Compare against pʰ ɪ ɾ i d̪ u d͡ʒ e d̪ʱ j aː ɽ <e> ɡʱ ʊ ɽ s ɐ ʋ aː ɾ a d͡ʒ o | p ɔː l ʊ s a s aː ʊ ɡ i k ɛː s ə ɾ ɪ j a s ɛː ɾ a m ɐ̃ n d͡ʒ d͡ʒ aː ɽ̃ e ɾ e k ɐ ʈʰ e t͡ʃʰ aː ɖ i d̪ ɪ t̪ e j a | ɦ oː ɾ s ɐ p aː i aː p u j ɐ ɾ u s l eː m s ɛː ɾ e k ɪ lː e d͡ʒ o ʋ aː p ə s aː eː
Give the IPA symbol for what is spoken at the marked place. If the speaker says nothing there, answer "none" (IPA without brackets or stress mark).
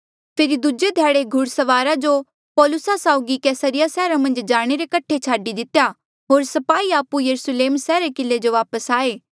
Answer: e